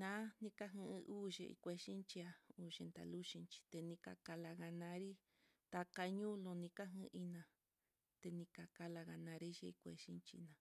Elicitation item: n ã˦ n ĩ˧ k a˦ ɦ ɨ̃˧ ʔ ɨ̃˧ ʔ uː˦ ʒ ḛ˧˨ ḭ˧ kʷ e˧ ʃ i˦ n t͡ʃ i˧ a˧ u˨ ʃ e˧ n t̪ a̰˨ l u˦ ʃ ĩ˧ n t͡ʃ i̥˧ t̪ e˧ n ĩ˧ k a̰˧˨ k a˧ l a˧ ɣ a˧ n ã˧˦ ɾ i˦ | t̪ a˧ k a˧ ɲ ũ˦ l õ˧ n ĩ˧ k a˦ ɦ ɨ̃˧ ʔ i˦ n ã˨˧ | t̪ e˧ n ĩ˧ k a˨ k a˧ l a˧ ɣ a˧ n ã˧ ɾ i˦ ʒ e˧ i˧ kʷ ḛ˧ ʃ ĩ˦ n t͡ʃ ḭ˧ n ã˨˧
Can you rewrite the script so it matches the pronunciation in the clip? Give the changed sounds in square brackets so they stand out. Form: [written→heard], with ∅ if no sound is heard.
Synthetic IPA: n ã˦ n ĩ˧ k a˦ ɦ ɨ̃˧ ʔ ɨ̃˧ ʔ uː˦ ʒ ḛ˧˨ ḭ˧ kʷ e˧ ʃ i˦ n t͡ʃ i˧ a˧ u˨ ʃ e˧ n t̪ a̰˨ l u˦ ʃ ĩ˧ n t͡ʃ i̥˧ t̪ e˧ n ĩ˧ k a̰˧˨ k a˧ l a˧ ɣ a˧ n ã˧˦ ɾ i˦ | t̪ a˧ k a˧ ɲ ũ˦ l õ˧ n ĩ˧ k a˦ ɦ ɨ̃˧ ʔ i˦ n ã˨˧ | t̪ e˧ n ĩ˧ k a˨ k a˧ l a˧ ɣ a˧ n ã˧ ɾ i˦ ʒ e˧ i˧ kʷ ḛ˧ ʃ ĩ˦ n t͡ʃ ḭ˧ n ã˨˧